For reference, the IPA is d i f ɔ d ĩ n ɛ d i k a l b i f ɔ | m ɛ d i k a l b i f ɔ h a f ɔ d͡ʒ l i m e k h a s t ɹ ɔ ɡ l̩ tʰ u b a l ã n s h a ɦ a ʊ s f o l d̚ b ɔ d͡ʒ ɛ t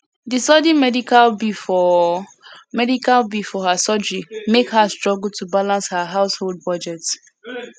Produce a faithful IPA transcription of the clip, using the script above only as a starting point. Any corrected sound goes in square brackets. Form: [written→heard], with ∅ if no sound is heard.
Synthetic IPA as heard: d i [f→s] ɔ d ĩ [n→m] ɛ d i k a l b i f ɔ | m ɛ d i k a l b i f ɔ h a [f→s] ɔ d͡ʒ [l→ɹ] i m e k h a s t ɹ ɔ ɡ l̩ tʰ u b a l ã n s h a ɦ a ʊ s [f→h] o l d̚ b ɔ d͡ʒ ɛ t